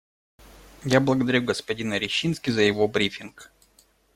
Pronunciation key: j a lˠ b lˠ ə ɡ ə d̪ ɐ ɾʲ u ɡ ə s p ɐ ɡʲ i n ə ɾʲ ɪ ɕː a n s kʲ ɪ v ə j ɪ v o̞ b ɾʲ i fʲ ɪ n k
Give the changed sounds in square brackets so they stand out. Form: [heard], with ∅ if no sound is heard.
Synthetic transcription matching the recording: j a [∅] b lˠ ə ɡ ə d̪ ɐ ɾʲ u ɡ ə s p ɐ [dʲ] i n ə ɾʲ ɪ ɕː [i] n s kʲ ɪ [z] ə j ɪ v o̞ b ɾʲ i fʲ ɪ n k